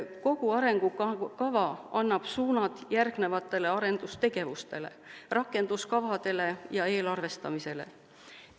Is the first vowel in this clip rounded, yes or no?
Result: yes